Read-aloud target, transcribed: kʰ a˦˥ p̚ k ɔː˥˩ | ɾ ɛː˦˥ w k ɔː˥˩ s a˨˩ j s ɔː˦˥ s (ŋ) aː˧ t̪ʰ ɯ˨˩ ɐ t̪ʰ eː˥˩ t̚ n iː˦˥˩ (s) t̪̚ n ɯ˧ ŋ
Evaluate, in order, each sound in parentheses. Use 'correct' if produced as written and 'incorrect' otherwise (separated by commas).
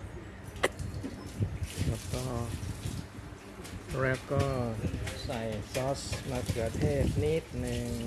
incorrect, incorrect